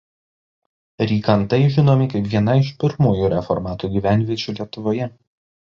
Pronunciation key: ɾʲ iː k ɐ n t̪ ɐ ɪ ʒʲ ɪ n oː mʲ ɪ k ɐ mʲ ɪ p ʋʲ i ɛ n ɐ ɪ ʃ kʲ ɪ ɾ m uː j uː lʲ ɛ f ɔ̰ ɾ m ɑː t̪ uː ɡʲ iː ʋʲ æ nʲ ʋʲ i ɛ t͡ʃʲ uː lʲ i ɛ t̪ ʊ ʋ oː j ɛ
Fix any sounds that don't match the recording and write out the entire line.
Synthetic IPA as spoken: ɾʲ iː k ɐ n t̪ ɐ ɪ ʒʲ ɪ n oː mʲ ɪ k ɐ ɪ p ʋʲ i ɛ n ɐ ɪ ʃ pʲ ɪ ɾ m uː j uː ɾʲ ɛ f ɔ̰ ɾ m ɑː t̪ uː ɡʲ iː ʋʲ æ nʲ ʋʲ i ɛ t͡ʃʲ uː lʲ i ɛ t̪ ʊ ʋ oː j ɛ